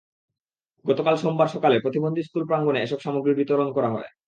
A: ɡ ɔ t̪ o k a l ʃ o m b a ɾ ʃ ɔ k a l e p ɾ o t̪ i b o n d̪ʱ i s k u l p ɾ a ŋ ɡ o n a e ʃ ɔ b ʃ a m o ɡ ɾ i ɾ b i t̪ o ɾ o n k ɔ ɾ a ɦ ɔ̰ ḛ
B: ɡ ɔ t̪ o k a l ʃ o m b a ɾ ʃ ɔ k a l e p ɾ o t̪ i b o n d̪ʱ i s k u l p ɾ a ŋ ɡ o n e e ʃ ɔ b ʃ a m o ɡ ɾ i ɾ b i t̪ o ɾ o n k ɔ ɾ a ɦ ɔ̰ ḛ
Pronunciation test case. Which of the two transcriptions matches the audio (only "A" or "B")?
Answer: B